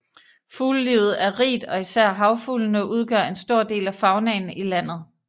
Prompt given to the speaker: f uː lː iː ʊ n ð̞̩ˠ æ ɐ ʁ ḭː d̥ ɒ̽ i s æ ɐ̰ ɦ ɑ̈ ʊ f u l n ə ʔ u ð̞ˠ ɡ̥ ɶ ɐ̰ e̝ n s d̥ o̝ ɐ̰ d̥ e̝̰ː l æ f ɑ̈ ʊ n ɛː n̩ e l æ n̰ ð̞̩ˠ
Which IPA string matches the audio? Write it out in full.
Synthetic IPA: f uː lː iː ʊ ð̞̩ˠ æ ɐ ʁ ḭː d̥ ɒ̽ i s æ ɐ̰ ɦ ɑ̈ ʊ f u l n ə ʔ u ð̞ˠ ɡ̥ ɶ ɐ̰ e̝ n s d̥ o̝ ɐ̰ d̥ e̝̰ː l æ f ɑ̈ ʊ n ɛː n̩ i l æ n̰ ð̞̩ˠ

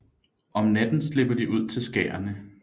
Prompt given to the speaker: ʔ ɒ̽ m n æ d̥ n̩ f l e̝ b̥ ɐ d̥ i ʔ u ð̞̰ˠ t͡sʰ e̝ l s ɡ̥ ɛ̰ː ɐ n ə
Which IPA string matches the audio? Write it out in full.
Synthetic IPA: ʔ ɒ̽ m n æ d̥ n̩ s l e̝ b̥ ɐ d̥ i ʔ u ð̞̰ˠ t͡sʰ e̝ l s ɡ̥ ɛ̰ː ɐ n ə

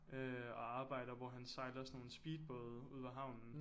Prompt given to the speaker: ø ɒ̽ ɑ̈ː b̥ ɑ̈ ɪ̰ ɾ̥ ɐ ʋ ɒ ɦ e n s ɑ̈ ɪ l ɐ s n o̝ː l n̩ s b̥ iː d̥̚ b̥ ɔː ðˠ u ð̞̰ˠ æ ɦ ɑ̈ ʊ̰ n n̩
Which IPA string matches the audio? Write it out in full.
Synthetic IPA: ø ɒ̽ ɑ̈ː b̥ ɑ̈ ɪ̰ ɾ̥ ɐ ʋ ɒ ɦ æ n s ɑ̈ ɪ l ɐ s n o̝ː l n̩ s b̥ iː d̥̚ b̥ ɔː ðˠ u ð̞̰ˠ æ ɦ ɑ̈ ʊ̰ n n̩

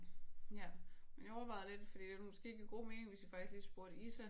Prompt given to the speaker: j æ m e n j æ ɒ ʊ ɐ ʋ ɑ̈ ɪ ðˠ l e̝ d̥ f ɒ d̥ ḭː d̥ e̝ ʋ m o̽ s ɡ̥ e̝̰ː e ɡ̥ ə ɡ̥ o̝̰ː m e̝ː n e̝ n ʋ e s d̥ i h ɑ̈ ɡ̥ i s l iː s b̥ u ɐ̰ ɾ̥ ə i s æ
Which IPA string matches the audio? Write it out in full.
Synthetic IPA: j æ m e n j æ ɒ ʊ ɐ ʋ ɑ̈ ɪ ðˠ l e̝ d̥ f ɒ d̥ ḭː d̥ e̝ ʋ m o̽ s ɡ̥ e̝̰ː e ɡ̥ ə ɡ̥ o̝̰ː m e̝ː n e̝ ŋ ʋ e s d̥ i f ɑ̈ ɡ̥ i s l iː s b̥ u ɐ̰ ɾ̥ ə i s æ

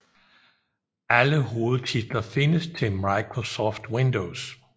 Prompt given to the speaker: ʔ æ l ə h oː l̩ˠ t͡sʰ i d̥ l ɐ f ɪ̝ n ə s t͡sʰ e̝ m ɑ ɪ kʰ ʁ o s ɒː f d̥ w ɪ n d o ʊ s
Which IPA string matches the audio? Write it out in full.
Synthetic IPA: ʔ æ l ə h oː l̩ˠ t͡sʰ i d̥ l ɐ f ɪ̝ n ə s t͡sʰ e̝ m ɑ ɪ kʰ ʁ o s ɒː f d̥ w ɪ n d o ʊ s

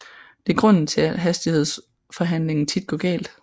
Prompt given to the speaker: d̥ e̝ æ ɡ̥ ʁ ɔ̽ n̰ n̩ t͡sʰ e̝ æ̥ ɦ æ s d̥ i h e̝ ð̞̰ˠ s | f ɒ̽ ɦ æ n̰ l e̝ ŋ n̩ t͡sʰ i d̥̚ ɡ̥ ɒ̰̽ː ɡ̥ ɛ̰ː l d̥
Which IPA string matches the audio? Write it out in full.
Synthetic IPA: d̥ e̝ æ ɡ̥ ʁ ɔ̽ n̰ n̩ t͡sʰ e̝ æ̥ ɦ æ s d̥ i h e̝ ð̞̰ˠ s | f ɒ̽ ɦ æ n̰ l e̝ ŋ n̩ t͡sʰ i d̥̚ ɡ̥ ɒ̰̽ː ɡ̥ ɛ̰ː l d̥

